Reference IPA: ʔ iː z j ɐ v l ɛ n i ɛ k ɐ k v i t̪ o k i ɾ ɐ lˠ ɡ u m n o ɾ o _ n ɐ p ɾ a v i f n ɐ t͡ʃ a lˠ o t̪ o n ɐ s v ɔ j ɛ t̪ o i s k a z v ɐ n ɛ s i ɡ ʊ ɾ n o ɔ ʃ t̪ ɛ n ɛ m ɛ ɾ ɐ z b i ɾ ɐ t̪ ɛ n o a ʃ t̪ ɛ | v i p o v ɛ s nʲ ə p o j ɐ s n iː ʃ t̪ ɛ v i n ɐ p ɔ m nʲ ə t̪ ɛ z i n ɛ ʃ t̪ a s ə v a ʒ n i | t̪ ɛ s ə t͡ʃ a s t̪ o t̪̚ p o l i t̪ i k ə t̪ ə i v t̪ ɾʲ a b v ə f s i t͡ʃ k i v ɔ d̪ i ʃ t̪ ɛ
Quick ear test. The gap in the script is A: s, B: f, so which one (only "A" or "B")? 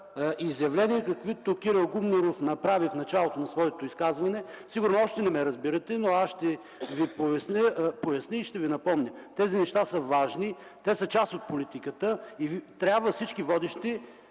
B